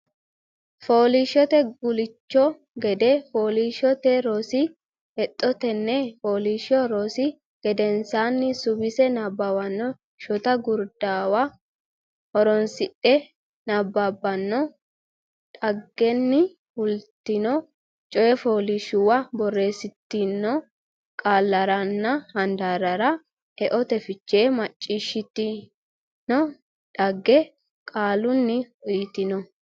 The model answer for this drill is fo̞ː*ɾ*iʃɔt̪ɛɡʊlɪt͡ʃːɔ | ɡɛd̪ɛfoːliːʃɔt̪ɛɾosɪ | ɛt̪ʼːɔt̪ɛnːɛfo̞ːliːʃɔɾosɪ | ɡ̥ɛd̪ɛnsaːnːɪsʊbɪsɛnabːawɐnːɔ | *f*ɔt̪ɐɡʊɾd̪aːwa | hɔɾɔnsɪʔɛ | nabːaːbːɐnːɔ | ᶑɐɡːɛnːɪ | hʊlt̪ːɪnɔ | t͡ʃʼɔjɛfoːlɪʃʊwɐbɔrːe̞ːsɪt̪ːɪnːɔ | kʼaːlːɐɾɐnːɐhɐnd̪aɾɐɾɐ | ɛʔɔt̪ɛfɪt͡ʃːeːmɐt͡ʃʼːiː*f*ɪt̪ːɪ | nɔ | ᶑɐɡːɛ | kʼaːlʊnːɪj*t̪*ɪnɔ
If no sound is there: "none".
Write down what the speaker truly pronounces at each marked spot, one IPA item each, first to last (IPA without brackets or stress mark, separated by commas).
l, ʃ, ʃ, t̪